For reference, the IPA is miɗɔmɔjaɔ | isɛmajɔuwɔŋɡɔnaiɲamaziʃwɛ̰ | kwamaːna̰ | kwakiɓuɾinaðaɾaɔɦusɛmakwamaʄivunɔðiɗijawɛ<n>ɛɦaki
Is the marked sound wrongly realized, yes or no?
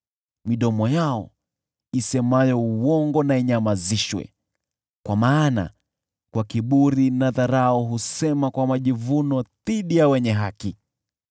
yes